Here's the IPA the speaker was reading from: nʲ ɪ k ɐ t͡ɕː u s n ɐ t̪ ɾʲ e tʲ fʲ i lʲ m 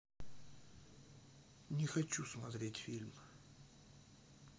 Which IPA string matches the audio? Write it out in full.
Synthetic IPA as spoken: nʲ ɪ x ɐ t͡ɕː u s m ɐ t̪ ɾʲ e tʲ fʲ i lʲ m

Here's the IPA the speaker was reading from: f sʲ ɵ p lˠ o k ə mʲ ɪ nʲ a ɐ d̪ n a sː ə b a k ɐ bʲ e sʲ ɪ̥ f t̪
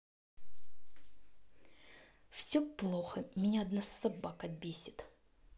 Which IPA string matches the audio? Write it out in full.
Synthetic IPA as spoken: f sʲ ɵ p lˠ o x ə mʲ ɪ nʲ a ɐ d̪ n a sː ɐ b a k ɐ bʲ e sʲ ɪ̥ t̪

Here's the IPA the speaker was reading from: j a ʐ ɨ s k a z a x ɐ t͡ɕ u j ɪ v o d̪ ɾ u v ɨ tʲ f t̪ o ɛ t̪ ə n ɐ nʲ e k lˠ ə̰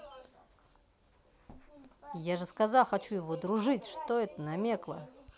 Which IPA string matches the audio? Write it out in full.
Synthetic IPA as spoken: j a ʐ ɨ s k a z a x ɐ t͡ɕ u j ɪ v o d̪ ɾ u ʐ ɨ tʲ ʂ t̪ o ɛ t̪ ə n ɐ mʲ e k lˠ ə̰

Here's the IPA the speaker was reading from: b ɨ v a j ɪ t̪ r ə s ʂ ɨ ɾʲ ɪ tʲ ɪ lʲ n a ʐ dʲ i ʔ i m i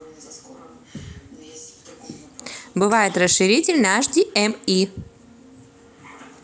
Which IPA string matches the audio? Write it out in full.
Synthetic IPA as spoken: b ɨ v a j ɪ t̪ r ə s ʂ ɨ ɾʲ i tʲ ɪ lʲ n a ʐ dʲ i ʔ ɛ m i

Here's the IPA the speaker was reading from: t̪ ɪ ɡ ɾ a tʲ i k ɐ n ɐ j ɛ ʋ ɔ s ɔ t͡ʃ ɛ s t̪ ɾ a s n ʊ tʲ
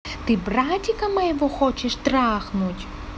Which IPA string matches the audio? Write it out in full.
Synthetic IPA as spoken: t̪ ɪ b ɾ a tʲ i k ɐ m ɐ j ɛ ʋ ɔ x ɔ t͡ʃ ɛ ʃ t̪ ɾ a x n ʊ tʲ

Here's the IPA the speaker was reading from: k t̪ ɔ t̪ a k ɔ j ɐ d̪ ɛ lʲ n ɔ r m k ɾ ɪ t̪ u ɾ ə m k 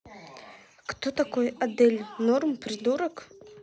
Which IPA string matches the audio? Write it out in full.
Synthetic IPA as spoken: k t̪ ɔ t̪ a k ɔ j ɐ d̪ ɛ lʲ n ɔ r m p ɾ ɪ d̪ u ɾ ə k

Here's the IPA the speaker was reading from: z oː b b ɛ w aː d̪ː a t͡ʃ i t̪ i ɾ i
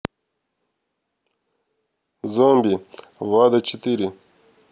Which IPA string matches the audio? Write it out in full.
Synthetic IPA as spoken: z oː m b i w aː d̪ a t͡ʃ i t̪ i ɾ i

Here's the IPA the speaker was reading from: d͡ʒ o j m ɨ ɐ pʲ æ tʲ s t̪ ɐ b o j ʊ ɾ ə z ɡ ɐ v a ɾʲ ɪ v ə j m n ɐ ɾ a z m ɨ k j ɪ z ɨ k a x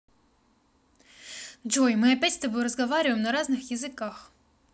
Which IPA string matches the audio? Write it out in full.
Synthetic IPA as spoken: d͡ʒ o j m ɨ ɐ pʲ æ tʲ s t̪ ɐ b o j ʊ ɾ ə z ɡ ɐ v a ɾʲ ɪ v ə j m n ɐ ɾ a z n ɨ x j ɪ z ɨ k a x

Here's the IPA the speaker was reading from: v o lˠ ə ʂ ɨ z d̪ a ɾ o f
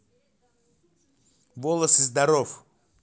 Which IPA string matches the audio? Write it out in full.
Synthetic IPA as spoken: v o lˠ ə s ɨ z d̪ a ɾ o f

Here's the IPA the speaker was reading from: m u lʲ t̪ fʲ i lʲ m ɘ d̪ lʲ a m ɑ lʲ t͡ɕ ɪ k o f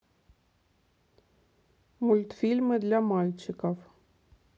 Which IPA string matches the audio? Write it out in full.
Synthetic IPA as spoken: m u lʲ t̪ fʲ i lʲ m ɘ d̪ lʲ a m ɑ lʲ t͡ɕ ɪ k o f

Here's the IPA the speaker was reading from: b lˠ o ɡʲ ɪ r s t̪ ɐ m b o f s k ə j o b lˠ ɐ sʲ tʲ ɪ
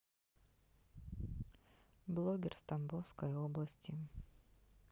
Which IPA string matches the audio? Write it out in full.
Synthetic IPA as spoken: b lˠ o ɡʲ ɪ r s t̪ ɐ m b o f s k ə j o b lˠ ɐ sʲ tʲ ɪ

